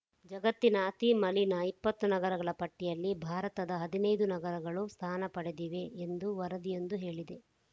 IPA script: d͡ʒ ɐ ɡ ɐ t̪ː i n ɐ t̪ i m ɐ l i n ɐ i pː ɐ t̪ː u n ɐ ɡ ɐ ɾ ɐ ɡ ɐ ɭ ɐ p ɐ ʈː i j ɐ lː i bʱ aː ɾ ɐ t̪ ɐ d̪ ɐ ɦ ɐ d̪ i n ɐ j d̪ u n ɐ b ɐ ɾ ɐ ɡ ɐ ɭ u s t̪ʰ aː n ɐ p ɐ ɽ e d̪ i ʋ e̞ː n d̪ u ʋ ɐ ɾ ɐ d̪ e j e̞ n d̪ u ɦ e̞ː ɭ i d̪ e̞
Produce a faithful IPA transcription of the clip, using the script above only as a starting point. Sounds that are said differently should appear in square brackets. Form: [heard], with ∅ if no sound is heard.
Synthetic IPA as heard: d͡ʒ ɐ ɡ ɐ t̪ː i n ɐ t̪ i m ɐ l i n ɐ i pː ɐ t̪ː u n ɐ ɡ ɐ ɾ ɐ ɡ ɐ ɭ ɐ p ɐ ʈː i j ɐ lː i bʱ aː ɾ ɐ t̪ ɐ d̪ ɐ ɦ ɐ d̪ i n ɐ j d̪ u n ɐ [ɡ] ɐ ɾ ɐ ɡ ɐ ɭ u s t̪ʰ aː n ɐ p ɐ ɽ e d̪ i ʋ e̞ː n d̪ u ʋ ɐ ɾ ɐ d̪ [i] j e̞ n d̪ u ɦ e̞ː ɭ i d̪ e̞